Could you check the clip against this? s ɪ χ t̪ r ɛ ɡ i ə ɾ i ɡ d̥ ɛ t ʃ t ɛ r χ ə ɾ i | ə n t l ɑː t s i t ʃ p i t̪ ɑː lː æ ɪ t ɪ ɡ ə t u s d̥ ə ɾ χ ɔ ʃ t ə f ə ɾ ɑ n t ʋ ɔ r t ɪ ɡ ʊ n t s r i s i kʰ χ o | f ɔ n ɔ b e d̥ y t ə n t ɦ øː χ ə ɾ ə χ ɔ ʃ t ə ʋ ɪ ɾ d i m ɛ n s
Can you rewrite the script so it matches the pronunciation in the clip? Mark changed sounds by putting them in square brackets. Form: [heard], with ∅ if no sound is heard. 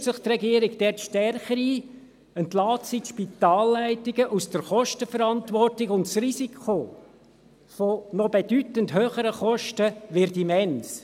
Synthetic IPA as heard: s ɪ χ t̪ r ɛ ɡ i ə ɾ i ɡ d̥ ɛ t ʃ t ɛ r χ ə ɾ i | ə n t l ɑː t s i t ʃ p i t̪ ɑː lː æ ɪ t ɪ ɡ ə [ʔ] u s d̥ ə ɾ χ ɔ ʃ t ə f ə ɾ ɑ n t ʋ ɔ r t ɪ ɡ ʊ n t s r i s i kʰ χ o | f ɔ n ɔ b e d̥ y t ə n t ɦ øː χ ə ɾ ə χ ɔ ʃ t ə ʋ ɪ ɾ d i m ɛ n s

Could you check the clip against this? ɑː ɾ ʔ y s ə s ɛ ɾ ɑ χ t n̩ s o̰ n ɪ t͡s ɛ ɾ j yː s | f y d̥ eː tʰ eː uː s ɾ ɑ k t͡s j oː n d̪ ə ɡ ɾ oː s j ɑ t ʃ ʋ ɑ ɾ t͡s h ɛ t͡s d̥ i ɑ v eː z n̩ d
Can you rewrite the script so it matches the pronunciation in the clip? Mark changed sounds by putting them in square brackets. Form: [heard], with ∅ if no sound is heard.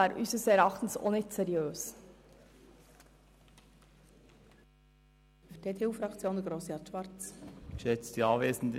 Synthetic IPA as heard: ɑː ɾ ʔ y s ə s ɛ ɾ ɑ χ t n̩ s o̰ n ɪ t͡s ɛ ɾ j [øː] s | f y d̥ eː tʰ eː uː [f] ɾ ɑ k t͡s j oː n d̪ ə ɡ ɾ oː s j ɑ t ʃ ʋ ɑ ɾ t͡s [ʃ] ɛ t͡s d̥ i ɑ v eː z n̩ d

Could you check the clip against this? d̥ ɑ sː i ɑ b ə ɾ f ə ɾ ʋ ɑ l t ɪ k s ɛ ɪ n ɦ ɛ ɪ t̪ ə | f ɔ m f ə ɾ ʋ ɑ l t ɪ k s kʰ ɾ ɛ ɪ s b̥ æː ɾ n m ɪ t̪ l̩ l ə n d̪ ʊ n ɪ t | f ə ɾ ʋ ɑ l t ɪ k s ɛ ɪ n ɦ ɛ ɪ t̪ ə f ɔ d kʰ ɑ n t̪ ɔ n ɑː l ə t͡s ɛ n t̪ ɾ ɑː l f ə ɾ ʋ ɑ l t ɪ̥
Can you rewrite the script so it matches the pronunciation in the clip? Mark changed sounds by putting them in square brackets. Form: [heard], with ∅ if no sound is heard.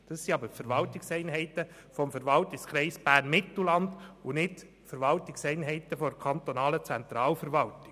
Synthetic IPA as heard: d̥ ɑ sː i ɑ b ə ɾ f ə ɾ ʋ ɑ l t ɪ k s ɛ ɪ n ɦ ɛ ɪ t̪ ə | f ɔ m f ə ɾ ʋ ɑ l t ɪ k s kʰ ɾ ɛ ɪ s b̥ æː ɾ n m ɪ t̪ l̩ l [ɑ] n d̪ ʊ n ɪ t | f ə ɾ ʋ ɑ l t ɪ k s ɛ ɪ n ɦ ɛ ɪ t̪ ə f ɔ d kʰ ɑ n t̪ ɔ n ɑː l ə t͡s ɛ n t̪ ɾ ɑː l f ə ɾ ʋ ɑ l t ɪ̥

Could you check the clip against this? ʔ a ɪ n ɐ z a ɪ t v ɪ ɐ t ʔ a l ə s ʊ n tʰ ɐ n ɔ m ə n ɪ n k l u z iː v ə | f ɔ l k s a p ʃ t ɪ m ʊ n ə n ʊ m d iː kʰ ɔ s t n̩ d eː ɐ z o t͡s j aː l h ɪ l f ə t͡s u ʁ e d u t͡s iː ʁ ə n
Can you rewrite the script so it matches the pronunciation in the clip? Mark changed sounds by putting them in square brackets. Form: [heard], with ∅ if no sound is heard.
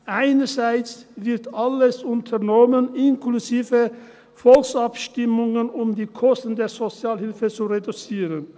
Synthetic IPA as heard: ʔ a ɪ n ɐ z a ɪ [t͡s] v ɪ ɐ t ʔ a l ə s ʊ n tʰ ɐ n ɔ m ə n ɪ n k l u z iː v ə | f ɔ l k s a p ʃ t ɪ m ʊ [ŋ] ə n ʊ m d iː kʰ ɔ s t n̩ d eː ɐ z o t͡s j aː l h ɪ l f ə t͡s u ʁ e d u t͡s iː ʁ ə n

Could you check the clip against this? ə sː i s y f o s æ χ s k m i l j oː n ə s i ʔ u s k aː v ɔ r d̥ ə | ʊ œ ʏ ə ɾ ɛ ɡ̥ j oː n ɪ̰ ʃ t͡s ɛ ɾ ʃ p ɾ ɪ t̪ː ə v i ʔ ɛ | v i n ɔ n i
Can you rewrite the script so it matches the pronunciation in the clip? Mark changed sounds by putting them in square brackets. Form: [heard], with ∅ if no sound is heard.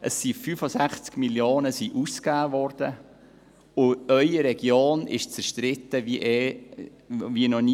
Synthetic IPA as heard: ə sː i [f] y f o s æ χ [t͡s] k m i l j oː n ə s i ʔ u s k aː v ɔ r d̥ ə | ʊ œ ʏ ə ɾ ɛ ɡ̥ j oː n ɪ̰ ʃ t͡s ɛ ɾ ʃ [t] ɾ ɪ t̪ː ə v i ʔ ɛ | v i n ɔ n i

